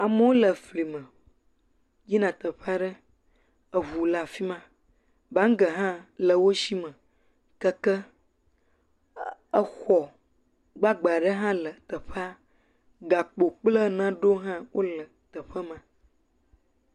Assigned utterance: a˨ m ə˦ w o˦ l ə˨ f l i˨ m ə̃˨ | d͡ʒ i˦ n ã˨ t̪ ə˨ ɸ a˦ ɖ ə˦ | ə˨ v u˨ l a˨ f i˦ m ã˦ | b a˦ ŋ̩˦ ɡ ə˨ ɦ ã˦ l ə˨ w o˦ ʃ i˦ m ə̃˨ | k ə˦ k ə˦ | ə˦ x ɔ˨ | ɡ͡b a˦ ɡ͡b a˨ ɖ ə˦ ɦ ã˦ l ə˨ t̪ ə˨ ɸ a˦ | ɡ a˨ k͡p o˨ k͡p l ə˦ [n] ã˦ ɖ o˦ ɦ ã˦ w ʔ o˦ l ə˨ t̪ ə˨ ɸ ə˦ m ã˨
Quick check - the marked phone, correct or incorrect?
correct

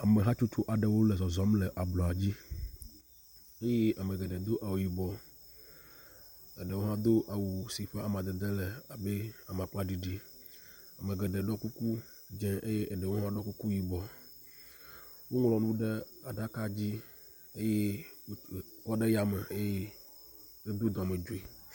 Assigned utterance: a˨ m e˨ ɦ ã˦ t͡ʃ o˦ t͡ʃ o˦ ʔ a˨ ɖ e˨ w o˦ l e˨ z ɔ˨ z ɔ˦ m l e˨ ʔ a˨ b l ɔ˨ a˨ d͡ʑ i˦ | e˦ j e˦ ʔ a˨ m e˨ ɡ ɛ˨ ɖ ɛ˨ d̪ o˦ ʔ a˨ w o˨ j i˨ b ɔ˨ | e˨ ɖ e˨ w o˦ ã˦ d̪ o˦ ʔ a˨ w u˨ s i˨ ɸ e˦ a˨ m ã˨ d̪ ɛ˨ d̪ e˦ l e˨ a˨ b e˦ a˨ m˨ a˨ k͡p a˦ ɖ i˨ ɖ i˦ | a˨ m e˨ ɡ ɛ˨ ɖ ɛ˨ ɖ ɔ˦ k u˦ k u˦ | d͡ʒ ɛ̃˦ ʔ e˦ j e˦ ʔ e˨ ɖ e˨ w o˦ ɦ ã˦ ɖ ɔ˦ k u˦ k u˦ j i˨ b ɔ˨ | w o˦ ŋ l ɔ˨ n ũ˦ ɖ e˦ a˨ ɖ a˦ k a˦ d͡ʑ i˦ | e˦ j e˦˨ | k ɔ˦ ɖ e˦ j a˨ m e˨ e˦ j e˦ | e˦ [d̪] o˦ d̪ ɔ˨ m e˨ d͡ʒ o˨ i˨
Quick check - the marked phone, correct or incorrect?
correct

